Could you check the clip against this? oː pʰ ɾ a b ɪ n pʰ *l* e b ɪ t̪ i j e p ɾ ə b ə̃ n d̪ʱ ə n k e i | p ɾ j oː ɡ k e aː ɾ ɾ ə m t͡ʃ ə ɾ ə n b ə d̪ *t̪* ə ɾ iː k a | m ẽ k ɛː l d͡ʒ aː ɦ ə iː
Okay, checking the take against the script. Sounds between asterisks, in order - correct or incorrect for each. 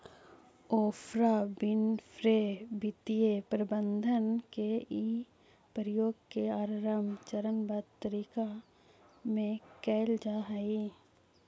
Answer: incorrect: ɾ, correct

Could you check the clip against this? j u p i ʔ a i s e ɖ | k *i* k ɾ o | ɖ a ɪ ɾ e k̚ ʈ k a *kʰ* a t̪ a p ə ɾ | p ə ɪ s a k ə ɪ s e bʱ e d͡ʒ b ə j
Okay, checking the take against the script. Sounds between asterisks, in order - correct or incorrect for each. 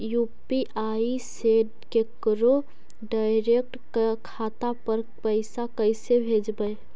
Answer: incorrect: e, correct

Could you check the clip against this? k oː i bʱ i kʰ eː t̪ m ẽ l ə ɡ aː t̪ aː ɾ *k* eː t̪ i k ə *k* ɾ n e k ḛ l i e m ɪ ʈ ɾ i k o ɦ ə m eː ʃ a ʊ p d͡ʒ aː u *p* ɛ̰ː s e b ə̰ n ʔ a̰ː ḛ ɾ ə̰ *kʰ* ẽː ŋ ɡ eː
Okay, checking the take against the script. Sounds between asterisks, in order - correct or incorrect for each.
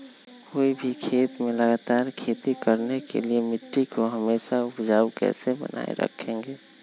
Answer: incorrect: kʰ, incorrect: none, incorrect: k, correct

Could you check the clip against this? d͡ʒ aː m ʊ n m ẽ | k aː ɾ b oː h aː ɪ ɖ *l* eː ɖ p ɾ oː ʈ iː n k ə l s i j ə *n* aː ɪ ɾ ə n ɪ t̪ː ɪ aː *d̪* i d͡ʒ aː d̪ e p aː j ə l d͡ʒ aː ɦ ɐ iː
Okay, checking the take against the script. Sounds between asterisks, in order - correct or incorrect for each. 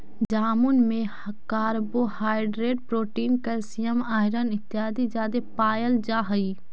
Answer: incorrect: ɾ, incorrect: m, correct

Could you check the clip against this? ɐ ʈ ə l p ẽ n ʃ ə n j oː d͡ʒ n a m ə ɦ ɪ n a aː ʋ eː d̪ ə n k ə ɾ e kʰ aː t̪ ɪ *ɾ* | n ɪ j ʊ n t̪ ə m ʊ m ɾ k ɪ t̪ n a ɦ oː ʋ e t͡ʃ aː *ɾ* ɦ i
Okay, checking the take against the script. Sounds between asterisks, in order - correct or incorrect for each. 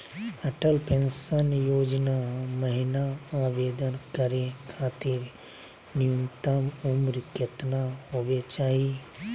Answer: correct, incorrect: none

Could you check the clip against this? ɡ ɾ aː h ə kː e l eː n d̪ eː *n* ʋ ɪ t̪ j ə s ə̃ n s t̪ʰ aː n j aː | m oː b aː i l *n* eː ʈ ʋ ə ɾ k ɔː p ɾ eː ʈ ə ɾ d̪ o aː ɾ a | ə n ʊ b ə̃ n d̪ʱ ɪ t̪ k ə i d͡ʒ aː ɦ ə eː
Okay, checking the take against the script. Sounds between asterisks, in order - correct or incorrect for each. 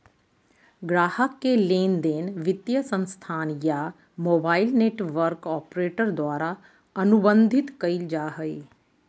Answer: correct, correct

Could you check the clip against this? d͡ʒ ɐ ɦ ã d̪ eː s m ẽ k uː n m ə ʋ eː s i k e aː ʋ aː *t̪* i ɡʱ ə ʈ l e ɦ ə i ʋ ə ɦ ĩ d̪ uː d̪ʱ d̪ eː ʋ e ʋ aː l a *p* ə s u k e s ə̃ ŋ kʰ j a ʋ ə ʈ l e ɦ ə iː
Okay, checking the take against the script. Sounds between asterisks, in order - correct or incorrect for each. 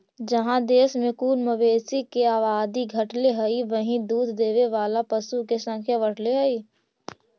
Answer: incorrect: d̪, correct

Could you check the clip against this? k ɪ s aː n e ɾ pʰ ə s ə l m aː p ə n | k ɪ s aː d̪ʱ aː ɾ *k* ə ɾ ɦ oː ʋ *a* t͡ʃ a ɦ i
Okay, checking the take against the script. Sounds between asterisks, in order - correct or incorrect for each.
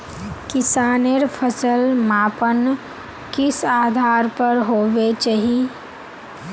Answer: incorrect: p, incorrect: e

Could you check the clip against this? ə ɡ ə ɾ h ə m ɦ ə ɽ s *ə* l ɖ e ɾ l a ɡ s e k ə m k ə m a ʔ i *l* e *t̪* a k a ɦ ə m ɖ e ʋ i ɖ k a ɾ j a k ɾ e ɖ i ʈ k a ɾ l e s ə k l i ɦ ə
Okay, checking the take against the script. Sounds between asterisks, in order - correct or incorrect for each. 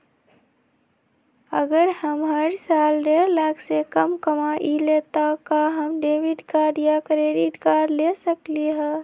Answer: incorrect: a, correct, correct

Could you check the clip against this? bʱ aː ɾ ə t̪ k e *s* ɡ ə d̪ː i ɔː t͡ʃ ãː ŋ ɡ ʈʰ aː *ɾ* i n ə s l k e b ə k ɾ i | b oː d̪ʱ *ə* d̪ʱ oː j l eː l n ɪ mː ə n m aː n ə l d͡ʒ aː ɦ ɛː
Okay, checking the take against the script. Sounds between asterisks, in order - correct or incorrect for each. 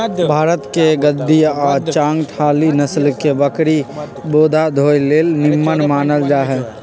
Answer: incorrect: none, incorrect: l, incorrect: a

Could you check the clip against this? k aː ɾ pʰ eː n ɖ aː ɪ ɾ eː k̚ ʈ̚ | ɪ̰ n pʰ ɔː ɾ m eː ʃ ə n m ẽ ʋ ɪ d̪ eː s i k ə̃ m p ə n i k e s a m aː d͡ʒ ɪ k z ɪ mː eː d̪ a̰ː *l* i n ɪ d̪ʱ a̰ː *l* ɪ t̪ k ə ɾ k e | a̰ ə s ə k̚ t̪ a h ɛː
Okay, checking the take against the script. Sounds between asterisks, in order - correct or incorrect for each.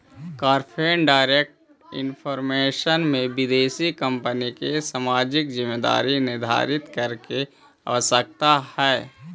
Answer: incorrect: ɾ, incorrect: ɾ

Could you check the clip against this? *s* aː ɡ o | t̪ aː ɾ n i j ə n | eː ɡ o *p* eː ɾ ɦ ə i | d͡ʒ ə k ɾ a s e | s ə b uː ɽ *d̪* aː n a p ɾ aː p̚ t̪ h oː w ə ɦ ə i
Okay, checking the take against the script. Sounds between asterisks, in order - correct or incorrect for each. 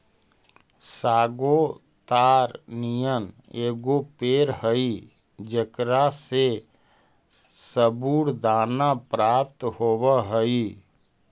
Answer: correct, correct, correct

